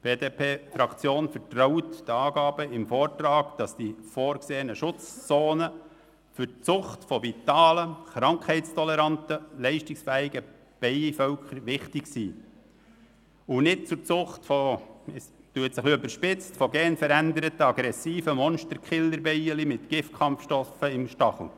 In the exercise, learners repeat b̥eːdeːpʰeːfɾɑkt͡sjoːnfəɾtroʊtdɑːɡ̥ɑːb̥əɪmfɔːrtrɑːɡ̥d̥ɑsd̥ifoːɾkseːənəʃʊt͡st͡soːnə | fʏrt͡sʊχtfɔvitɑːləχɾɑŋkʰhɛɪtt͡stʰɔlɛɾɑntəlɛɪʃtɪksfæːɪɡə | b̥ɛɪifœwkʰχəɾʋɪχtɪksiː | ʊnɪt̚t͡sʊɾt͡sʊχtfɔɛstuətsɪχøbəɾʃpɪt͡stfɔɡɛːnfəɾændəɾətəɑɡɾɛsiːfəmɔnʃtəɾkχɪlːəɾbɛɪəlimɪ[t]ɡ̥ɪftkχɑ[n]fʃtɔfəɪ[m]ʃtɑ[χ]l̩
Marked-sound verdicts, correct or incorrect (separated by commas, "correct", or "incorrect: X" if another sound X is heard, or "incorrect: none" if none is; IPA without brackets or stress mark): correct, incorrect: m, correct, correct